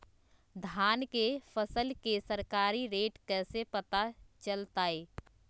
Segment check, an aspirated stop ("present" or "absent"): absent